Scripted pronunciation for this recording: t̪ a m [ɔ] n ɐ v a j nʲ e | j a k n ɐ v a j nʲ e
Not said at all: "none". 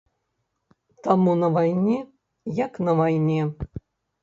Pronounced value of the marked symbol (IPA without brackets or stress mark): u